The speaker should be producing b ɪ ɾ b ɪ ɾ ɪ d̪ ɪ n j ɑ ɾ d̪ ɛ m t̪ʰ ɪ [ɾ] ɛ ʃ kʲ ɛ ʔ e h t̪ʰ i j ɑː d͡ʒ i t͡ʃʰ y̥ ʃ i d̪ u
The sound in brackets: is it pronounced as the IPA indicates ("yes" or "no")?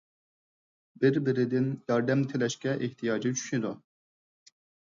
no